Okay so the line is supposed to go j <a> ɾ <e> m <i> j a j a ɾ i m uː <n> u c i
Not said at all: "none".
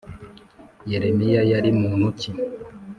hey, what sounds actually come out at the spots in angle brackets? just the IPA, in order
e, e, i, n

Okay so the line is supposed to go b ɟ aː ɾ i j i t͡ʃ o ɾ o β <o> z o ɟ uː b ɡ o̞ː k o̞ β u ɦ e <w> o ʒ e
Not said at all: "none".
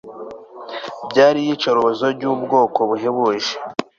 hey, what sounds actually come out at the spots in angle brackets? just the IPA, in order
o, β

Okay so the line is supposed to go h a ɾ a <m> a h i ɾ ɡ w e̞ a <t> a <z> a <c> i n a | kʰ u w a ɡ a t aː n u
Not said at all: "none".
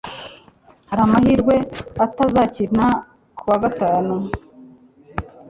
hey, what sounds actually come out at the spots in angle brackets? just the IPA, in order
m, t, z, c

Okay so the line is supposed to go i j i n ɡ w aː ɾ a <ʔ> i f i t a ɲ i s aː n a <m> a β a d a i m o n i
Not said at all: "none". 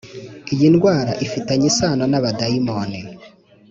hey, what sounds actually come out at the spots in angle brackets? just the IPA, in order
ʔ, n

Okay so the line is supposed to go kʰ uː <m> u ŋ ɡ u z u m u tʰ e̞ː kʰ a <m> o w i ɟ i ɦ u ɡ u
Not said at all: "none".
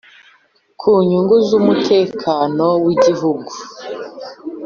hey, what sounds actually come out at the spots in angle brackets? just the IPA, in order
ɲ, n

